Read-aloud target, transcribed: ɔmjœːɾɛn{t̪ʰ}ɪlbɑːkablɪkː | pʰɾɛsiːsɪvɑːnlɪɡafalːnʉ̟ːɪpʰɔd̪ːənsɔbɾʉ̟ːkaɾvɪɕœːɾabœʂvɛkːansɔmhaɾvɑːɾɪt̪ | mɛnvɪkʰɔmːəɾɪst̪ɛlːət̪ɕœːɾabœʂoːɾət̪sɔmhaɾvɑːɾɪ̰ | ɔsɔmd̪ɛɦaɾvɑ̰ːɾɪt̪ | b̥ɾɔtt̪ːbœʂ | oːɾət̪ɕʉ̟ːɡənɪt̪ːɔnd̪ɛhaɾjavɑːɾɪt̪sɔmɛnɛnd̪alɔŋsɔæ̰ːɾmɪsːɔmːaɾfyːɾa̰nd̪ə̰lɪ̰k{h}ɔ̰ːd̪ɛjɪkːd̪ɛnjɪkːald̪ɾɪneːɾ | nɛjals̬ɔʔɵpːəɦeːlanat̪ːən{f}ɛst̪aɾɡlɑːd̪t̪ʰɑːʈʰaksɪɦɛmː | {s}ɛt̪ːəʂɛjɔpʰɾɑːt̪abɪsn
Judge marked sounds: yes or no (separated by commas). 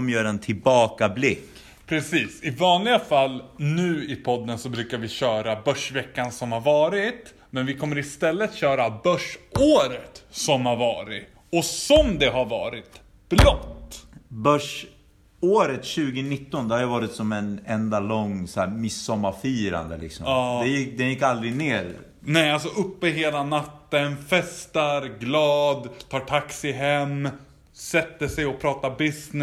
yes, no, yes, yes